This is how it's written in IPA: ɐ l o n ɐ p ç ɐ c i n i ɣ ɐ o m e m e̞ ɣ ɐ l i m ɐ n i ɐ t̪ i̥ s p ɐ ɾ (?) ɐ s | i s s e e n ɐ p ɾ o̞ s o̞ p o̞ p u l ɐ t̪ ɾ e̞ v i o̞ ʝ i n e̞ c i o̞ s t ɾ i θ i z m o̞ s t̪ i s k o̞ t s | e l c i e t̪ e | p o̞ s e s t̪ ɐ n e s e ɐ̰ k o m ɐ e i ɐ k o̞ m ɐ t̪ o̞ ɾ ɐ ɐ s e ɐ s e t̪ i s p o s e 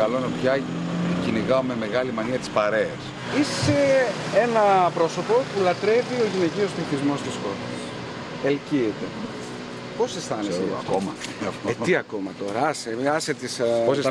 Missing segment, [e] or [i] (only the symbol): e